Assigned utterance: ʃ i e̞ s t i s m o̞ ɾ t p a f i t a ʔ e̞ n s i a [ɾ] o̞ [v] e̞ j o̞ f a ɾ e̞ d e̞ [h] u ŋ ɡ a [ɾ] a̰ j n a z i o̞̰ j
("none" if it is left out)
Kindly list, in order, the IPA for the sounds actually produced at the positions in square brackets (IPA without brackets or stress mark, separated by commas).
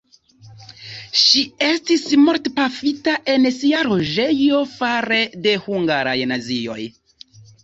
ɾ, ʒ, h, ɾ